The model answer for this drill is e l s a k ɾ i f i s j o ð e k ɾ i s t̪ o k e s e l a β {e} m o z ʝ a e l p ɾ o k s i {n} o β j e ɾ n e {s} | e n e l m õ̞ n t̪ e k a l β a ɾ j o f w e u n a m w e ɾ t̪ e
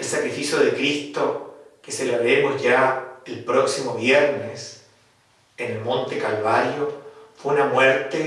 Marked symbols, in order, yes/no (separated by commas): yes, no, yes